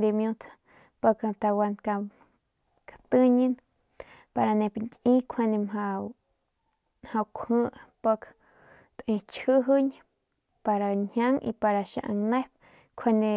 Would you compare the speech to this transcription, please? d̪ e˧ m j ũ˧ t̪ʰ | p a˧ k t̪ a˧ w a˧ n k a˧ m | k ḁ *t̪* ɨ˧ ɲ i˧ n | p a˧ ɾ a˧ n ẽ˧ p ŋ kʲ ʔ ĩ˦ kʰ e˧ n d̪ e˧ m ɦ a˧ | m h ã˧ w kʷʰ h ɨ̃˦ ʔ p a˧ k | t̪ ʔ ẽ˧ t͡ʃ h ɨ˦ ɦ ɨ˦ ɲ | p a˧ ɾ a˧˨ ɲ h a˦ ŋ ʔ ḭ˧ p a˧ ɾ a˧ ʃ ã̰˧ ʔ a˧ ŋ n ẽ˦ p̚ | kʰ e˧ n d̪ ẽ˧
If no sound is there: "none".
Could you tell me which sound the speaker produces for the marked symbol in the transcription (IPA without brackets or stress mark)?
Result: t̪